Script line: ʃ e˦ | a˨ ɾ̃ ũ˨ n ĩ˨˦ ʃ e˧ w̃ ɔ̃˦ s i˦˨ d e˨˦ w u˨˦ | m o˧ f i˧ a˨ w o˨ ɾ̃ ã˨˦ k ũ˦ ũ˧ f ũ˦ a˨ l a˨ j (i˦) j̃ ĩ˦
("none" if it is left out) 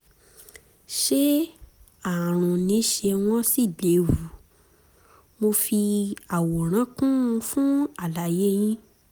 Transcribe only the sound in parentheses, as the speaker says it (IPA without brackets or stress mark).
e˦